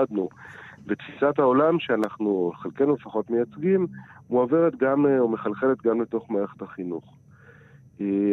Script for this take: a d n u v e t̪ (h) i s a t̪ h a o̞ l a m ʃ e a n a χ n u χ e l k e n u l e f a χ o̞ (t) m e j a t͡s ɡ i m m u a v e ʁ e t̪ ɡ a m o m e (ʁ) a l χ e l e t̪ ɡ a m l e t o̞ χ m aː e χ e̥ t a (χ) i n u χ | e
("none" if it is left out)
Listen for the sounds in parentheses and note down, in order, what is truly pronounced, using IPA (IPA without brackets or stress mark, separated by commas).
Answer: f, t, χ, χ